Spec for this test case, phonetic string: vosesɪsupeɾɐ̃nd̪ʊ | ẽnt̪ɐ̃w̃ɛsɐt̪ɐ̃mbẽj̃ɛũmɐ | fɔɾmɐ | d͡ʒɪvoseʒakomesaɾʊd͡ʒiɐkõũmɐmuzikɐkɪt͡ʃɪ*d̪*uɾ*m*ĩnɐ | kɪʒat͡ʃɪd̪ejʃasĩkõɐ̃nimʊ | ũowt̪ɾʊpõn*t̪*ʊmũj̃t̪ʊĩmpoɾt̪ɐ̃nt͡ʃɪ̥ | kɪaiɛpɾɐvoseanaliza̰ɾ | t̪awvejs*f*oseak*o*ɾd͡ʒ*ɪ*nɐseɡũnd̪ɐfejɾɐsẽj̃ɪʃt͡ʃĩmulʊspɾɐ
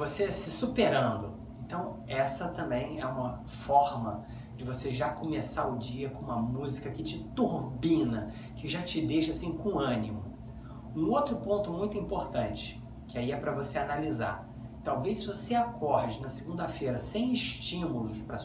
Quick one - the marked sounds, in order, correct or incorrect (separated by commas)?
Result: incorrect, incorrect, correct, incorrect, incorrect, correct